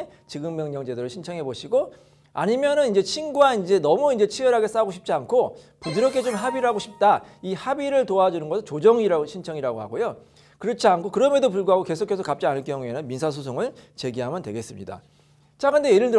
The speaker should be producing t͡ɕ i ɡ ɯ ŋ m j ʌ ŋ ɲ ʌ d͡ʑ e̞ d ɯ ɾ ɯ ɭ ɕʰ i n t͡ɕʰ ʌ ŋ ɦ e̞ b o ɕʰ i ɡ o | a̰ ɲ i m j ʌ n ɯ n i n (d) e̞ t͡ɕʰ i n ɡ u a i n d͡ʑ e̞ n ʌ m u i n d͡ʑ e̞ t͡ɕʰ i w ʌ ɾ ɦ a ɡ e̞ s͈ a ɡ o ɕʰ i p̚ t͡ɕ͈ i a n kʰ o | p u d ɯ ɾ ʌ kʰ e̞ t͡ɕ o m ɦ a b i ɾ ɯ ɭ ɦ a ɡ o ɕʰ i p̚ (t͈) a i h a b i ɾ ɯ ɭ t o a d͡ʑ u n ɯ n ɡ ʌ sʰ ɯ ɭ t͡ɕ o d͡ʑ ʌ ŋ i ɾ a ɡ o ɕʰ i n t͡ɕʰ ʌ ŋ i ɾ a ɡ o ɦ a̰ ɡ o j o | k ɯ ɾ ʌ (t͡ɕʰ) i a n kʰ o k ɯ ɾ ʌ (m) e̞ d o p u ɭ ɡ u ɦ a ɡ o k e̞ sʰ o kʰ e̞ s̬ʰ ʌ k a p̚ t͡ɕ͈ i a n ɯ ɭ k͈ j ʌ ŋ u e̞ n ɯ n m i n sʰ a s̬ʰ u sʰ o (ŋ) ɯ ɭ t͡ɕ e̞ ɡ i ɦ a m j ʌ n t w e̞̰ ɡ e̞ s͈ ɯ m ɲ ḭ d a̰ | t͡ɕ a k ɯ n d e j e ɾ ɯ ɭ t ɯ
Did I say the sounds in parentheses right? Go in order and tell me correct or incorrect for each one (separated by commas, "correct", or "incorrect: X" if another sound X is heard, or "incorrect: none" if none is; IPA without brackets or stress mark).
incorrect: d͡ʑ, correct, correct, correct, correct